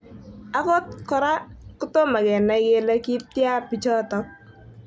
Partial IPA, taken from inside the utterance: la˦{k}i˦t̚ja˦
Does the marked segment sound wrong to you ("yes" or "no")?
no